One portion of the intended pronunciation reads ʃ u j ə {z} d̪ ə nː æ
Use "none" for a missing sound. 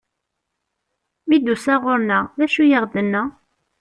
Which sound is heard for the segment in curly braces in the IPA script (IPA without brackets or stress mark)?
ʁ